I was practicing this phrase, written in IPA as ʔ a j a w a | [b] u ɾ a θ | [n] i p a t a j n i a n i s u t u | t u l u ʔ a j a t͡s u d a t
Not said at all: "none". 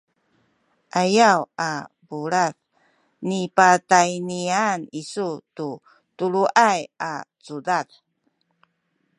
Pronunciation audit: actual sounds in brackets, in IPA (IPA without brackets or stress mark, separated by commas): b, n